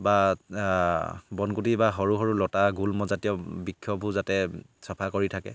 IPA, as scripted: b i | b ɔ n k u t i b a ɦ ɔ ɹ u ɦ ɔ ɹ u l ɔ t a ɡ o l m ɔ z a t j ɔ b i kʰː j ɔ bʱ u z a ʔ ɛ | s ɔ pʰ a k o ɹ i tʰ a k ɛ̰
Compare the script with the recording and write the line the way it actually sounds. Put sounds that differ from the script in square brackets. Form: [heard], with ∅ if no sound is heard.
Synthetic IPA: b [a] | b ɔ n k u t i b a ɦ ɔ ɹ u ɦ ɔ ɹ u l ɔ t a ɡ [u] l m ɔ z a t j ɔ b i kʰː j ɔ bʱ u z a [t] ɛ | s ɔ pʰ a k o ɹ i tʰ a k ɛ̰

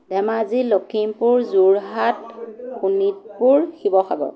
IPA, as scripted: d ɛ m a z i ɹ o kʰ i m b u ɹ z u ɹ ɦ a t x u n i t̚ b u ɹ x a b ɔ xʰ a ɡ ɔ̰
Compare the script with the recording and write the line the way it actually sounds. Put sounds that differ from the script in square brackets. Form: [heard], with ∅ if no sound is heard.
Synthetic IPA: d ɛ m a z i [l] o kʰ i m [p] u ɹ z u ɹ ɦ a t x u n i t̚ [p] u ɹ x [i] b ɔ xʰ a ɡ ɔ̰

